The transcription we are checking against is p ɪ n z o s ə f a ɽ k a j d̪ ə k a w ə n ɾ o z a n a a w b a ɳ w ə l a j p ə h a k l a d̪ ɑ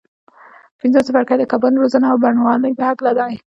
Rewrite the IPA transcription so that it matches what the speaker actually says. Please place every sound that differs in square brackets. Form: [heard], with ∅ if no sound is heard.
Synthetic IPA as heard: p ɪ n z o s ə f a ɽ k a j d̪ ə k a [b] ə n ɾ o z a n a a w b a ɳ w [ɑ] l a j p ə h a k l a d̪ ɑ